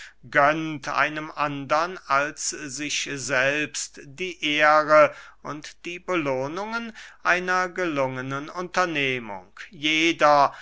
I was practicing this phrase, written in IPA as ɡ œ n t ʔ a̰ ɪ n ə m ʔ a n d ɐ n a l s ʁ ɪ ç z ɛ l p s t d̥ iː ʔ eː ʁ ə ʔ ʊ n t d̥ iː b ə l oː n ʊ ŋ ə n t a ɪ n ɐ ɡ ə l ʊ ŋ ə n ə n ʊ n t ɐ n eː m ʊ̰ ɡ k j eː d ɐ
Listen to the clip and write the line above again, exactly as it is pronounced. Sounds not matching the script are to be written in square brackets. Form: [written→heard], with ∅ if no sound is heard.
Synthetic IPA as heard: ɡ œ n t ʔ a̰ ɪ n ə m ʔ a n d ɐ n a l s [ʁ→z] ɪ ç z ɛ l p s t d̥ iː ʔ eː ʁ ə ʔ ʊ n t d̥ iː b ə l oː n ʊ ŋ ə n [t→ʔ] a ɪ n ɐ ɡ ə l ʊ ŋ ə n ə n ʊ n t ɐ n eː m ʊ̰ [ɡ→ŋ] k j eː d ɐ